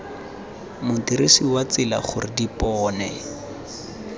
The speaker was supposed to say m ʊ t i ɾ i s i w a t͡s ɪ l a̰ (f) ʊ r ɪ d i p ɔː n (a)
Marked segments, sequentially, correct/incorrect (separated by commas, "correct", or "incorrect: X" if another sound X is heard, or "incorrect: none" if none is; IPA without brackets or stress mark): incorrect: χ, incorrect: ɛ